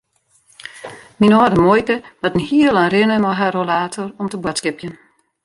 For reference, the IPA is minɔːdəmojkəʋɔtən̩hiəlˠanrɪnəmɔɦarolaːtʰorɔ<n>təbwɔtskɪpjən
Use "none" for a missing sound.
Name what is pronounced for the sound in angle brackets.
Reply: m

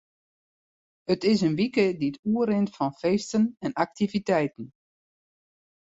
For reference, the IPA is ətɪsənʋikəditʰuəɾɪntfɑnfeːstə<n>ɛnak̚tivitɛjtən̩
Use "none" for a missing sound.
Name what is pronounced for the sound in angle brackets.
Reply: n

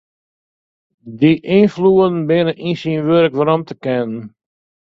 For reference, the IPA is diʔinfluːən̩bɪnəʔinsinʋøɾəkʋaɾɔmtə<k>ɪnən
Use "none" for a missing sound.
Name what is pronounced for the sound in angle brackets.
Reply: k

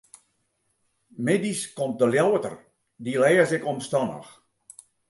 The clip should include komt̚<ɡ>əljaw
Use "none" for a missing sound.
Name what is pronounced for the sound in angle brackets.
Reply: d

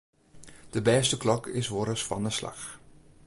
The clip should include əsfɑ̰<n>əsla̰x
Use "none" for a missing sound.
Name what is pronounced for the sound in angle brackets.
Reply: n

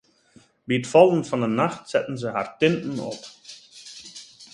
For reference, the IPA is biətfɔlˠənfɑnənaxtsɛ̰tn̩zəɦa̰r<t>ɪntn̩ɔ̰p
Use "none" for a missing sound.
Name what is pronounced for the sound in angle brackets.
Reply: t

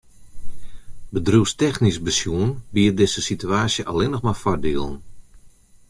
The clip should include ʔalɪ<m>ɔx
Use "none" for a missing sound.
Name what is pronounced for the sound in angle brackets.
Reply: n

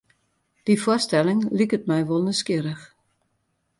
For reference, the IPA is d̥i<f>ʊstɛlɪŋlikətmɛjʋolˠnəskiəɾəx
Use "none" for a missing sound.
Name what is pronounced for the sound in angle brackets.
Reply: f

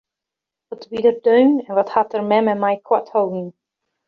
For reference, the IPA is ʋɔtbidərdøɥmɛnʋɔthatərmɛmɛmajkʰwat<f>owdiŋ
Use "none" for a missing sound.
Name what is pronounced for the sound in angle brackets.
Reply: h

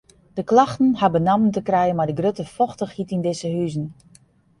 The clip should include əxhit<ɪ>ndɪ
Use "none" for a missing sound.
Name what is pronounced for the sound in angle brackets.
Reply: i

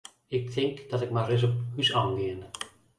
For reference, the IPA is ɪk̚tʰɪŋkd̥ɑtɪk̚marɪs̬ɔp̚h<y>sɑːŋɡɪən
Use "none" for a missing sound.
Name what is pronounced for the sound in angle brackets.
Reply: y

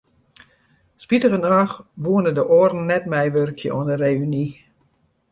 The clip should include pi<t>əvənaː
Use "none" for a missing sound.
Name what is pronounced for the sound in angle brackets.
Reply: t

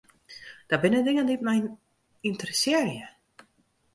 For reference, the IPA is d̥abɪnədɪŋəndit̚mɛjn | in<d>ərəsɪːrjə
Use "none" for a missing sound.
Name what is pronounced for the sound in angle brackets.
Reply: t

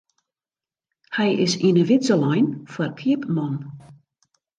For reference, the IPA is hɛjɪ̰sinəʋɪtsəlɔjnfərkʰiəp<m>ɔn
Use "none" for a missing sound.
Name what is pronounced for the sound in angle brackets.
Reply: m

